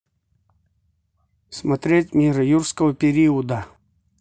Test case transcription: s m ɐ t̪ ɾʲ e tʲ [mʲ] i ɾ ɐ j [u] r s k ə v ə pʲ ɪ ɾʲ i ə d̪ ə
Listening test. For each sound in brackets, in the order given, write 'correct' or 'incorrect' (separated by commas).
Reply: correct, correct